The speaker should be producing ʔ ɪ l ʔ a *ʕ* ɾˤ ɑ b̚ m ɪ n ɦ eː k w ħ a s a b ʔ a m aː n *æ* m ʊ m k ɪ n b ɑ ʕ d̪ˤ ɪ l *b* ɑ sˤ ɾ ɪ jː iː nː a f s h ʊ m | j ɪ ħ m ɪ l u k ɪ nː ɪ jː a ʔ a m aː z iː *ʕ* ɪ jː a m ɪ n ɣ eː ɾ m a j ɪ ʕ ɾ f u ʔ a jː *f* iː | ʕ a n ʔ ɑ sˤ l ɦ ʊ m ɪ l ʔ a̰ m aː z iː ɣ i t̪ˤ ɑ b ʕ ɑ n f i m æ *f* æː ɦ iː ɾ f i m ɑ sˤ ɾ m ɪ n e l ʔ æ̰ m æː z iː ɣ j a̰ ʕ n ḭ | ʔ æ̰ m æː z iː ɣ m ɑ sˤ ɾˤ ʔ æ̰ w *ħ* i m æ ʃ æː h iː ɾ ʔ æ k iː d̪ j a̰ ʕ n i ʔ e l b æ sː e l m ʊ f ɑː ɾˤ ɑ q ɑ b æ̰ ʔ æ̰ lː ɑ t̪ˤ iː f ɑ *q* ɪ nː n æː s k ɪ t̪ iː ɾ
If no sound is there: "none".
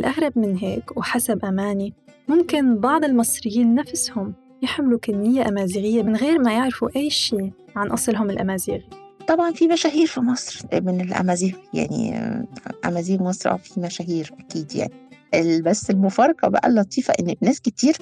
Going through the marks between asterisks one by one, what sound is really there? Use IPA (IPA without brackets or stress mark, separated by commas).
ɣ, i, m, ɣ, ʃ, ʃ, f, ʔ